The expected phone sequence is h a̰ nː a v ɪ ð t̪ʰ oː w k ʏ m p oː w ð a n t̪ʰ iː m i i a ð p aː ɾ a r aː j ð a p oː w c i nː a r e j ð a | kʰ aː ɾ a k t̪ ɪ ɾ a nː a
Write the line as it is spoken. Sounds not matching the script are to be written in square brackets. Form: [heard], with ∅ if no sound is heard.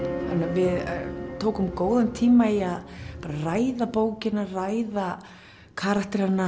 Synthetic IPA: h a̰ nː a v ɪ ð t̪ʰ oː w k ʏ m [k] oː w ð a n t̪ʰ iː m [a] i a ð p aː ɾ a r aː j ð a p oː w c [ɪ] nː a r [a] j ð a | kʰ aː ɾ a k t̪ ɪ ɾ a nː a